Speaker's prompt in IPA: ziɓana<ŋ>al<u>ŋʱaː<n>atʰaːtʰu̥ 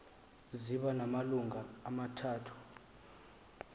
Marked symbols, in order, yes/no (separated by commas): no, yes, no